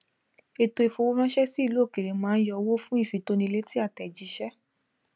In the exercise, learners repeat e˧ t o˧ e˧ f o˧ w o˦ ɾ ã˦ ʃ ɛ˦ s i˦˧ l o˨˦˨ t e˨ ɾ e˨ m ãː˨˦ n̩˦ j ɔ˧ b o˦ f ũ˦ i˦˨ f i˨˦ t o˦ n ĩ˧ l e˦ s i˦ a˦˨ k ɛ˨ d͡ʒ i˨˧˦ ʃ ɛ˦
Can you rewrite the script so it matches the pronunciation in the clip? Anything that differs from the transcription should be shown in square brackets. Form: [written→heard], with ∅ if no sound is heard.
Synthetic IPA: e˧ t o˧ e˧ f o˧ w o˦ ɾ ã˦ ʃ ɛ˦ s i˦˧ l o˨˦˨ [t→k] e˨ ɾ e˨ m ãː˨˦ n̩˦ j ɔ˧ [b→w] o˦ f ũ˦ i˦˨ f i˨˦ t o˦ n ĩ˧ l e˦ [s→t] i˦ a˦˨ [k→t] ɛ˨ d͡ʒ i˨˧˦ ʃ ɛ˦